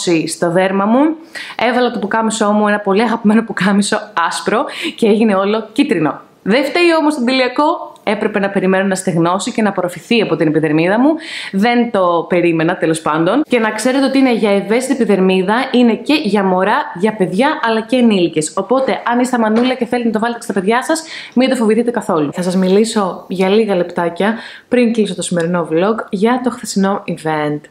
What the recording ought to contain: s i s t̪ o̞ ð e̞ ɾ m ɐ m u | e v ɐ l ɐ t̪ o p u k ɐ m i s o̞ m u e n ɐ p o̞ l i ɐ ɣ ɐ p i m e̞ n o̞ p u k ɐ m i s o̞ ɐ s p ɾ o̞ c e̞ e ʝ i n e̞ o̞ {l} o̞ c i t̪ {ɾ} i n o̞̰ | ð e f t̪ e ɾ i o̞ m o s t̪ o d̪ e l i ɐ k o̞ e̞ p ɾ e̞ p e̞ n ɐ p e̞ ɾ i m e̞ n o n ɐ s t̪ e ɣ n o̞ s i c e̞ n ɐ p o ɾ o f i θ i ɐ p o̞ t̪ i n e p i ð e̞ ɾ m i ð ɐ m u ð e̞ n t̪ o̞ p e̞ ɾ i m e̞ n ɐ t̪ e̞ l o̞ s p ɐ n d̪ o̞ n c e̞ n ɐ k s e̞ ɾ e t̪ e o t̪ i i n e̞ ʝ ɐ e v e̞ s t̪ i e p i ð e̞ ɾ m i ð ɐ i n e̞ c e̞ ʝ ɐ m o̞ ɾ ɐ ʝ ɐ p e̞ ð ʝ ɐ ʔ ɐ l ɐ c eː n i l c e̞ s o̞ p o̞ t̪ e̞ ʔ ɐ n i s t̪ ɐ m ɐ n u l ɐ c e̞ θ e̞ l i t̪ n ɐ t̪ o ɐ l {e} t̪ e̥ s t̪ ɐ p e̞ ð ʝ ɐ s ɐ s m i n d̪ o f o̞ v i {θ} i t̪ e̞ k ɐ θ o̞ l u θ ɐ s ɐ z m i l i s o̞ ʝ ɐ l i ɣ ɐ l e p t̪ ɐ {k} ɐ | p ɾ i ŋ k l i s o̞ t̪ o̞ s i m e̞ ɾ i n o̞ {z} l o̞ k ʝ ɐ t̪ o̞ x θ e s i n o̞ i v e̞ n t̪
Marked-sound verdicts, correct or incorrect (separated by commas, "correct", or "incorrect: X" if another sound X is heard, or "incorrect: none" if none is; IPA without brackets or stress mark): correct, correct, correct, correct, incorrect: c, incorrect: v